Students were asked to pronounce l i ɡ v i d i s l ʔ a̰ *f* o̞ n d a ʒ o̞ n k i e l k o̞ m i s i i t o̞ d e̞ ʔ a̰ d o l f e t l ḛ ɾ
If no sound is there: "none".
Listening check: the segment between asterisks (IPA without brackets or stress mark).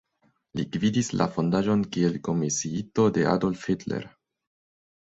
f